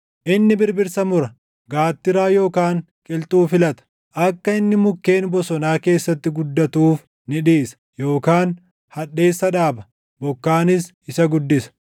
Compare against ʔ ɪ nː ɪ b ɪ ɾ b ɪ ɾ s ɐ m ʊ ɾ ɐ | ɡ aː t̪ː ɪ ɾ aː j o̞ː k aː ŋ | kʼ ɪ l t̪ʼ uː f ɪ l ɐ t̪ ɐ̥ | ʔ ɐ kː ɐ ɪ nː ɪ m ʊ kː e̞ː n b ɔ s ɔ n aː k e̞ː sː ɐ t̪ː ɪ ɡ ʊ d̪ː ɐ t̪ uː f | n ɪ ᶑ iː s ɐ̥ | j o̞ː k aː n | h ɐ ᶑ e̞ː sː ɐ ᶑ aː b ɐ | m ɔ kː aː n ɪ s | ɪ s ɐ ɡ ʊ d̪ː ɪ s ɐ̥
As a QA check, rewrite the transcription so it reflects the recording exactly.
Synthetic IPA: ʔ ɪ nː ɪ b ɪ ɾ b ɪ ɾ s ɐ m ʊ ɾ ɐ | ɡ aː t̪ː ɪ ɾ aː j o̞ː k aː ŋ | kʼ ɪ l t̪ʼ uː f ɪ l ɐ t̪ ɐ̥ | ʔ ɐ kː ɐ ɪ nː ɪ m ʊ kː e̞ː n b ɔ s ɔ n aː k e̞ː sː ɐ t̪ː ɪ ɡ ʊ d̪ː ɐ t̪ uː f | n ɪ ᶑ iː s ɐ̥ | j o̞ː k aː n | h ɐ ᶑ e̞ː sː ɐ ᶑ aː b ɐ | b ɔ kː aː n ɪ s | ɪ s ɐ ɡ ʊ d̪ː ɪ s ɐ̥